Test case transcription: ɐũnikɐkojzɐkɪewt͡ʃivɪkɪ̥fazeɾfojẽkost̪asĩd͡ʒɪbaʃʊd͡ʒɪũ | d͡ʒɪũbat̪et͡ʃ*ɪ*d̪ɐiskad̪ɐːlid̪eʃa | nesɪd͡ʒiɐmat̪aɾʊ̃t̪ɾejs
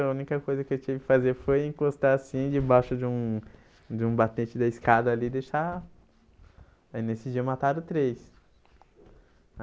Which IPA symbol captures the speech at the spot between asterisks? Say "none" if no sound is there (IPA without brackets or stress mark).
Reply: ɪ